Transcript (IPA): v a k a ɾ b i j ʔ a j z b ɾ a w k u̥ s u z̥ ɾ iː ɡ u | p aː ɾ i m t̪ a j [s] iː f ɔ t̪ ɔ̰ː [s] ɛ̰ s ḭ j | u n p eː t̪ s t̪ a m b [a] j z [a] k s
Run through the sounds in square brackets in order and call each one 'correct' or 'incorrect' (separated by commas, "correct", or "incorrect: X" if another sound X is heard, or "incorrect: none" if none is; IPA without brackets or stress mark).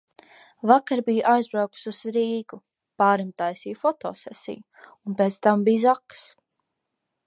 correct, correct, incorrect: i, correct